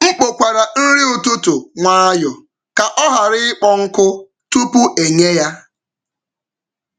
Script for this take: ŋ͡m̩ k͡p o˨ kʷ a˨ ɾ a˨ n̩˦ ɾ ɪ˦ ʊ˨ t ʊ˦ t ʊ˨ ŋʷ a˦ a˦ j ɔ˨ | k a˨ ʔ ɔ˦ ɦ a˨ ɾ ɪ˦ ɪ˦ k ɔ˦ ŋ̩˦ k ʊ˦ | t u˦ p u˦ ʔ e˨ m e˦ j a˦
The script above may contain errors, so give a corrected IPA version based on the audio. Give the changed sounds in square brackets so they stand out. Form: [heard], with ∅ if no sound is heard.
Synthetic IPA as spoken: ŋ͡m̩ k͡p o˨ kʷ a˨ ɾ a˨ n̩˦ ɾ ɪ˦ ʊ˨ t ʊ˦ t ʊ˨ ŋʷ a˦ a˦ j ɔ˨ | k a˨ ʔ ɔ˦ ɦ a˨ ɾ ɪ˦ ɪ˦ [k͡p] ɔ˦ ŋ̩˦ k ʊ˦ | t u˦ p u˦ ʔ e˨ [ɲ] e˦ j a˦